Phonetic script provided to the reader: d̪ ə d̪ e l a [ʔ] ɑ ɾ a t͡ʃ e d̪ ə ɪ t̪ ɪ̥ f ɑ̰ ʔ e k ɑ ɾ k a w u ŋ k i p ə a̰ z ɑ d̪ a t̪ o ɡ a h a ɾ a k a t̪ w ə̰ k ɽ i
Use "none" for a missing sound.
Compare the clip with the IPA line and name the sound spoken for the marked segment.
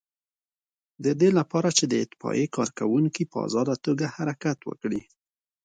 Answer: p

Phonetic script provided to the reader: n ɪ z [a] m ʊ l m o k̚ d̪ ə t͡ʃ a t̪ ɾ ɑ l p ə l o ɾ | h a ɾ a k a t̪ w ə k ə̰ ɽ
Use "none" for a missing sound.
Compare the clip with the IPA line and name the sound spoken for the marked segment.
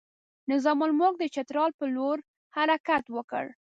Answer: ɑ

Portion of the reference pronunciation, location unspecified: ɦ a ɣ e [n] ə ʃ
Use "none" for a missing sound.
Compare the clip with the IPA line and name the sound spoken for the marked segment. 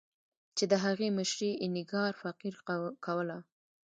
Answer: m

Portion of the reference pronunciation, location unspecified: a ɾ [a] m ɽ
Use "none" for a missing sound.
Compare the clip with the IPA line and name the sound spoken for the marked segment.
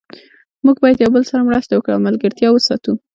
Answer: a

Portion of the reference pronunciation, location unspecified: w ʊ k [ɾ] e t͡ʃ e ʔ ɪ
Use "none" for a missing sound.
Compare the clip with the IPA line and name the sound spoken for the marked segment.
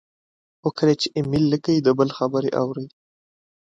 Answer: ɾ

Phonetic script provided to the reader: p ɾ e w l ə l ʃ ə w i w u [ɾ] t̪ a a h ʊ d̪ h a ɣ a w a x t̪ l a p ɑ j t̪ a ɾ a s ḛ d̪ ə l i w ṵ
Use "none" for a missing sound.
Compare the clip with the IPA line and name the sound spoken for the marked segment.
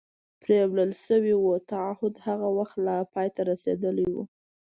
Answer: none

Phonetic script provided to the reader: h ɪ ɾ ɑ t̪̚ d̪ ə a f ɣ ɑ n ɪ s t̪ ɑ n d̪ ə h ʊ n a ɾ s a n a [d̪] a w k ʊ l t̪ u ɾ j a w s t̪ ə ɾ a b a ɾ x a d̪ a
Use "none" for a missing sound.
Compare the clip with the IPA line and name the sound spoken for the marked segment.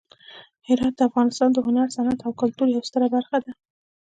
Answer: t̪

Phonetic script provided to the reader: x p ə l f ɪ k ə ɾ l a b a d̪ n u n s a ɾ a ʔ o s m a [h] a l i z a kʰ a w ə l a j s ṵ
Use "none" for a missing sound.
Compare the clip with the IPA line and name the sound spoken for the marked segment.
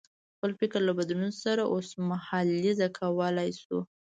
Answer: h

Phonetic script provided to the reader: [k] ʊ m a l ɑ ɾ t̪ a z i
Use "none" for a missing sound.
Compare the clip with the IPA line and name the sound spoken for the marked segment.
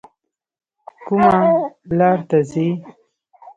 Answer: k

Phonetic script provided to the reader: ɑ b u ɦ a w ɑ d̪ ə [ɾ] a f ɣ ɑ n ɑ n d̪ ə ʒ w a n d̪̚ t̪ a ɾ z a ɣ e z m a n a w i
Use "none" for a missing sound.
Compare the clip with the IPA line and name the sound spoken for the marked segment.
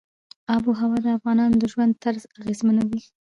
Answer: none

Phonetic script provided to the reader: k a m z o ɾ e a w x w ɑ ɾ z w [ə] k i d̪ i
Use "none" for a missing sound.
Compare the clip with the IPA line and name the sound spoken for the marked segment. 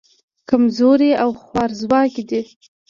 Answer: ɑ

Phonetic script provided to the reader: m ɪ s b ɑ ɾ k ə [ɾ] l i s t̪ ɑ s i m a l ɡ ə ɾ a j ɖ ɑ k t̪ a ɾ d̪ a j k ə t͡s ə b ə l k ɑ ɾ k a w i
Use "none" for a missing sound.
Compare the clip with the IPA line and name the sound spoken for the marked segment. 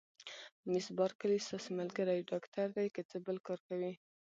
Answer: none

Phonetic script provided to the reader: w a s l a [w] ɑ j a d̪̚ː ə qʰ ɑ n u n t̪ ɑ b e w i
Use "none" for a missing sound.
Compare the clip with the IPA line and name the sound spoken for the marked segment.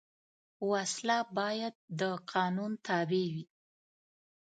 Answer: b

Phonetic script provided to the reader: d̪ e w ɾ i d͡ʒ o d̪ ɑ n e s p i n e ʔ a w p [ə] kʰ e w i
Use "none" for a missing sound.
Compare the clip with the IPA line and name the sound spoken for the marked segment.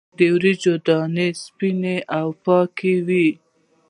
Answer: ɑ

